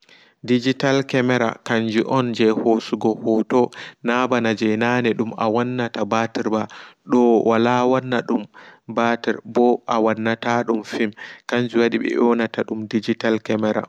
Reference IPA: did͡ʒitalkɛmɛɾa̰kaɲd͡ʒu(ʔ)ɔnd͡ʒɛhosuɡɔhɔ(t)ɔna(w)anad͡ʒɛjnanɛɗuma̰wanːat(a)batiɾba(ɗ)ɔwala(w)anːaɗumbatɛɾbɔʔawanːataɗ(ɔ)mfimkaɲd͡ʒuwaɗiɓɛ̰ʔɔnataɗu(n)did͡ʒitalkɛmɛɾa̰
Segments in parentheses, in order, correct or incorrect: correct, correct, incorrect: b, correct, correct, correct, incorrect: u, incorrect: m

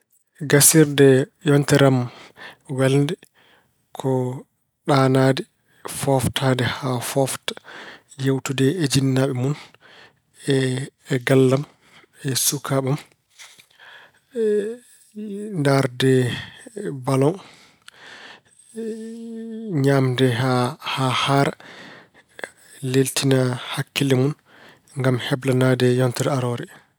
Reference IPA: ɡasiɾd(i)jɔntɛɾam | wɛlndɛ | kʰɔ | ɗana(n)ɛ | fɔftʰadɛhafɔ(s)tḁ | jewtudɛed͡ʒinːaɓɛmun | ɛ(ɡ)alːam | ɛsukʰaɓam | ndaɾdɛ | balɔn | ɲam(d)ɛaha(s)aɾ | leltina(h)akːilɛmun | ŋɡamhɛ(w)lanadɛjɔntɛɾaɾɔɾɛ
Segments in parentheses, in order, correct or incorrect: incorrect: ɛ, incorrect: d, incorrect: f, correct, correct, incorrect: h, correct, incorrect: b

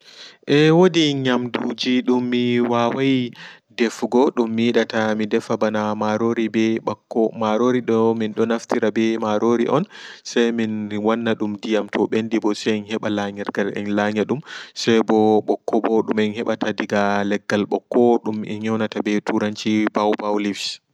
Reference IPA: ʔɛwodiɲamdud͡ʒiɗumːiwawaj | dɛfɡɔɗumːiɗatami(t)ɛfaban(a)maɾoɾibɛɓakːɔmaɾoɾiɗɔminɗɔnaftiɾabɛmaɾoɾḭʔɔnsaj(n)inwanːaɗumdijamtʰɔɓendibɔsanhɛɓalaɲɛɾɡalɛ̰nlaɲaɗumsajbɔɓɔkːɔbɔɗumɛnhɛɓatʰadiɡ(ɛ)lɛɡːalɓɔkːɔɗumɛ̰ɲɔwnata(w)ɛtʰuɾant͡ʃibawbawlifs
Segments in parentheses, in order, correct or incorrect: incorrect: d, correct, incorrect: m, incorrect: a, incorrect: b

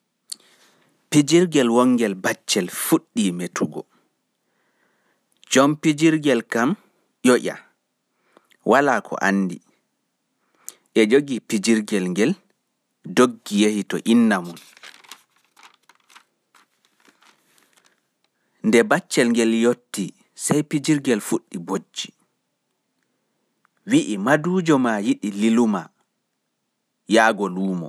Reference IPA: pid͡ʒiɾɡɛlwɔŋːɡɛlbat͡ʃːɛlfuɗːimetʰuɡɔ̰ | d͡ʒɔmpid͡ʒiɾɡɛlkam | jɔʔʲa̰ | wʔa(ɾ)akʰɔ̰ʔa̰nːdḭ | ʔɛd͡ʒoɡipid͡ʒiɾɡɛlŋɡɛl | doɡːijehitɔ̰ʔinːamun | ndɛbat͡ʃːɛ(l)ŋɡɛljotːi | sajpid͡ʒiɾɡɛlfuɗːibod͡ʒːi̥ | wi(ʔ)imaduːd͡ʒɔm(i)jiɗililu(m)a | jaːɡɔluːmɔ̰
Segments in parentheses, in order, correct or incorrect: incorrect: l, correct, correct, incorrect: a, correct

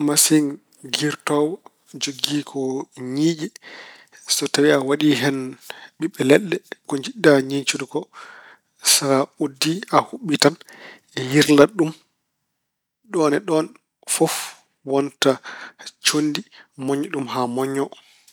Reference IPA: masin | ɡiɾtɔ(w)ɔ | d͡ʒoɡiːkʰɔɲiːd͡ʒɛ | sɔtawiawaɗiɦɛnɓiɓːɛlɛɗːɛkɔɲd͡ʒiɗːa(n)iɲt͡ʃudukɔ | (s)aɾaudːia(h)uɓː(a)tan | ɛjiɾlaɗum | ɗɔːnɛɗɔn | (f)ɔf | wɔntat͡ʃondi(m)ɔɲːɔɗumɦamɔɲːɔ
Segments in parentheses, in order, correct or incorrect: correct, incorrect: ɲ, correct, correct, incorrect: i, correct, correct

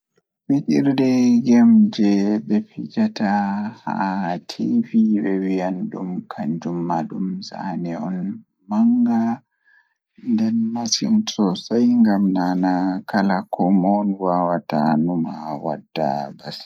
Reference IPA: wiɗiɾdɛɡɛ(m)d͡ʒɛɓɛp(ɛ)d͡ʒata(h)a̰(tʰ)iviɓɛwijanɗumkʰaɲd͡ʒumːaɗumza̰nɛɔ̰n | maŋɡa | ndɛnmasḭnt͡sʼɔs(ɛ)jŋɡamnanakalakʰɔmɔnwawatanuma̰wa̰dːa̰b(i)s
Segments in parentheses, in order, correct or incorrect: correct, incorrect: i, correct, correct, incorrect: a, incorrect: a

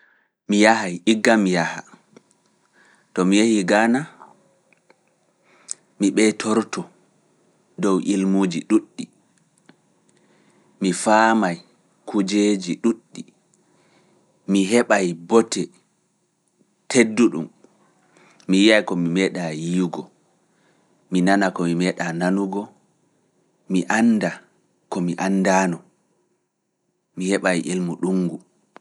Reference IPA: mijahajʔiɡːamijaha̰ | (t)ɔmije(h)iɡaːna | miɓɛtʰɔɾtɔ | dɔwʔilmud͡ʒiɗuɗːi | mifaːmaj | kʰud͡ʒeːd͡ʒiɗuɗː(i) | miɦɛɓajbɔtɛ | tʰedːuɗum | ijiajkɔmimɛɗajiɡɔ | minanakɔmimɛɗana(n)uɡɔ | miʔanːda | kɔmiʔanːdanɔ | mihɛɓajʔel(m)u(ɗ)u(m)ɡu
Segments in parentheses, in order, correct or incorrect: correct, correct, correct, correct, correct, correct, incorrect: ŋ

